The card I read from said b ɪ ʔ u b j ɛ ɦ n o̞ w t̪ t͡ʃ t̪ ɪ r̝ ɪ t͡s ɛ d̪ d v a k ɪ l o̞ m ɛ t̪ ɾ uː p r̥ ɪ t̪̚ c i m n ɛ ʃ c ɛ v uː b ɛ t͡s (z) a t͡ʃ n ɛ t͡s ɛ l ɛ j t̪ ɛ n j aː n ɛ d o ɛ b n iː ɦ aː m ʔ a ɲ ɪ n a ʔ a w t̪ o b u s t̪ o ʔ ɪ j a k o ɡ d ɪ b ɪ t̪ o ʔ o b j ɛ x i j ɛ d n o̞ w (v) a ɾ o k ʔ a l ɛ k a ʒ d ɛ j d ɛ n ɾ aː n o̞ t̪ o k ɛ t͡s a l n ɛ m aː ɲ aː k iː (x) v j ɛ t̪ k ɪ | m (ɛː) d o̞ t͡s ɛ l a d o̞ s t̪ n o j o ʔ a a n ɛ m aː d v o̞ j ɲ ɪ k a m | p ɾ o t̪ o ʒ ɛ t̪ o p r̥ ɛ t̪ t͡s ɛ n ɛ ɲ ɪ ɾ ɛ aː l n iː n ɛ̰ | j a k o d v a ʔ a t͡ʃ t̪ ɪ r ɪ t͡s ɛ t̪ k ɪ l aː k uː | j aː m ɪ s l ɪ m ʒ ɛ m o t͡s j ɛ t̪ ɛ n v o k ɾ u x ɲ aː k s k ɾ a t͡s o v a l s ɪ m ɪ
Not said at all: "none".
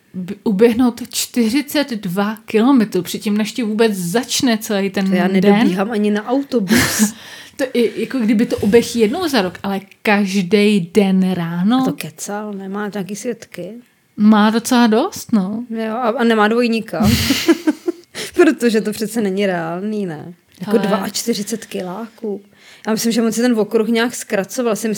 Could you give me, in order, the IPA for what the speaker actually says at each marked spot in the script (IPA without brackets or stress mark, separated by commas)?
z, z, s, aː